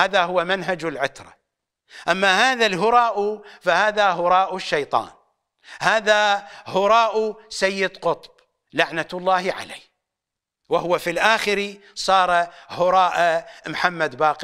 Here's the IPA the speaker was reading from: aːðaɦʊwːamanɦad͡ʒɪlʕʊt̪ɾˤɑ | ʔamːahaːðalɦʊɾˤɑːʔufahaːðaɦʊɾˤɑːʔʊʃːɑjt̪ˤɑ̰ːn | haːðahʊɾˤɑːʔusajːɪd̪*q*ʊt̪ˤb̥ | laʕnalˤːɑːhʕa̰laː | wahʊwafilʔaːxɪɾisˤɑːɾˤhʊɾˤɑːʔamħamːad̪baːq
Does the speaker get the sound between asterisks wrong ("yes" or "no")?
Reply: no